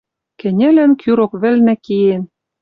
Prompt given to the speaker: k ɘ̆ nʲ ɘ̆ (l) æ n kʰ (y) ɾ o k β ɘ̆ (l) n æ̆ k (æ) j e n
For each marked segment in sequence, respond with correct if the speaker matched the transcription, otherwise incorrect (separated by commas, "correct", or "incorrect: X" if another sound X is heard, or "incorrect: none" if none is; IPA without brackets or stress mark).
correct, correct, correct, incorrect: i